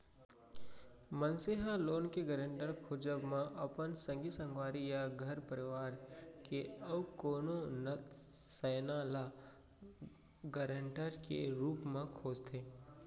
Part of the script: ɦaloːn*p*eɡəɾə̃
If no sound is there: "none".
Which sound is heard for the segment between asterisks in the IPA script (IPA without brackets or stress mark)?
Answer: k